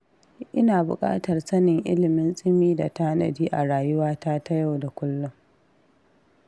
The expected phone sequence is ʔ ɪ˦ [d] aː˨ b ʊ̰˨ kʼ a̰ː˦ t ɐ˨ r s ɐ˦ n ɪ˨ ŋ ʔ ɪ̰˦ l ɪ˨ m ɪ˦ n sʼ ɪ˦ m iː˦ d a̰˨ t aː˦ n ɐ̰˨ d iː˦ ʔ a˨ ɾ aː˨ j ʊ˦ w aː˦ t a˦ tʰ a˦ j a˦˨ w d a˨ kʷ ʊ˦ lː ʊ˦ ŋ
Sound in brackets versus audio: incorrect: n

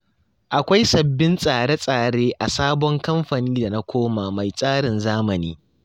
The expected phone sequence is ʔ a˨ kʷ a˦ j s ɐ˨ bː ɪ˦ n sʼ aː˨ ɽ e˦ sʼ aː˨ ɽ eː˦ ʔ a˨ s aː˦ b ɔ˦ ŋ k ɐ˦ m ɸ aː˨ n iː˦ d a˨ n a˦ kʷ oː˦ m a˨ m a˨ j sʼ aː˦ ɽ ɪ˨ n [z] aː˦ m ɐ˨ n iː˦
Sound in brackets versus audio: correct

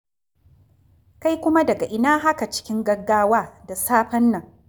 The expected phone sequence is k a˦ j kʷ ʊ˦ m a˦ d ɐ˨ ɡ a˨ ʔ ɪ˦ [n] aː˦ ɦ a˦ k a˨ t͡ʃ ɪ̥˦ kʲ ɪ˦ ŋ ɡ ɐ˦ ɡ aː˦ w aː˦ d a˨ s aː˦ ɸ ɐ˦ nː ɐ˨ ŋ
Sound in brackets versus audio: correct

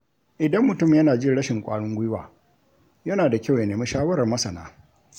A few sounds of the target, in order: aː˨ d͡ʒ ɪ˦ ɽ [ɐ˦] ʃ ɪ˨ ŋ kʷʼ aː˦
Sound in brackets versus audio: correct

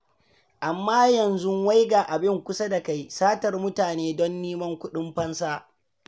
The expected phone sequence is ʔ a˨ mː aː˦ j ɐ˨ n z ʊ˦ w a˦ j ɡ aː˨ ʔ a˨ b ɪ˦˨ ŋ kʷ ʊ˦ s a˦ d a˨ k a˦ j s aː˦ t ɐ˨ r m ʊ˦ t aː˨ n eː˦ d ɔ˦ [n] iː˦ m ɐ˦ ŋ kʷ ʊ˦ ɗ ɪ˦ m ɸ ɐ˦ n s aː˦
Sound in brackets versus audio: incorrect: nː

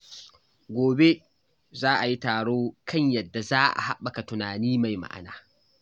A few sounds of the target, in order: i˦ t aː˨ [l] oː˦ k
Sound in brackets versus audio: incorrect: ɽ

